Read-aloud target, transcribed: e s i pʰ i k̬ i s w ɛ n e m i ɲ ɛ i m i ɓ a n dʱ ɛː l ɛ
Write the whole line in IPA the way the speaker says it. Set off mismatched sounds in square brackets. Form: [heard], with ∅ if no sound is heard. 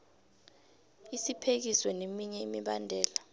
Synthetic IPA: [i] s i pʰ [e] k̬ i s w ɛ n e m i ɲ ɛ i m i ɓ a n dʱ ɛː l [a]